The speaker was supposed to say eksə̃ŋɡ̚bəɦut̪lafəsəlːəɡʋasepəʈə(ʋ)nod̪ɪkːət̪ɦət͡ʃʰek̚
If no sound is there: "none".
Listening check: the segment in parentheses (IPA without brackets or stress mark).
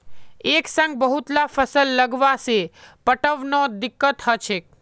ʋ